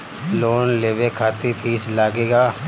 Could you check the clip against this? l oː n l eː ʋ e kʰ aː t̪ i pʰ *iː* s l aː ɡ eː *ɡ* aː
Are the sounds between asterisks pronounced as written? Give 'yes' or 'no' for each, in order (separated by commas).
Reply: yes, yes